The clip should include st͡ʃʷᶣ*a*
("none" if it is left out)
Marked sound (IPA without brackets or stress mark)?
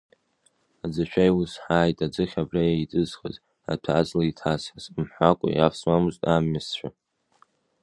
a